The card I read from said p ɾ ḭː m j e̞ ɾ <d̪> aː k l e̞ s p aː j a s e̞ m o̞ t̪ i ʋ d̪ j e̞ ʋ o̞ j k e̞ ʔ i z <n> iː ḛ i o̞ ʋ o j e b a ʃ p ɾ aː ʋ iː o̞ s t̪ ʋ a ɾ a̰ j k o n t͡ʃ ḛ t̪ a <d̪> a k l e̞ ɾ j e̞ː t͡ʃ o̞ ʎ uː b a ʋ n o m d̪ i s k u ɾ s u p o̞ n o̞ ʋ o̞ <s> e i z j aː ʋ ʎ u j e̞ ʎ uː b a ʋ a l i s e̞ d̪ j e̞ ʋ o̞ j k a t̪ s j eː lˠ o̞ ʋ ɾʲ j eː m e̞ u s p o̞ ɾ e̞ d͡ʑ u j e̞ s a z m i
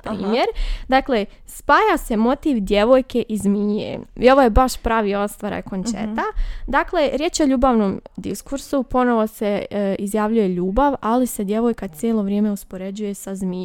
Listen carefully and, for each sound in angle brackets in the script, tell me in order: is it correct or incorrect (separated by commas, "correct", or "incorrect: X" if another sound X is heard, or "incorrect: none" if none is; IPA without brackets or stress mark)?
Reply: correct, incorrect: m, correct, correct